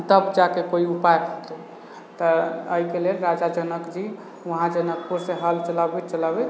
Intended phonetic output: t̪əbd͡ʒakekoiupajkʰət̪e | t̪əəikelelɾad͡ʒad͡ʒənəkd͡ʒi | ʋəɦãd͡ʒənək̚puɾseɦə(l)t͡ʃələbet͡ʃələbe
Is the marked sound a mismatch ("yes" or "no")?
no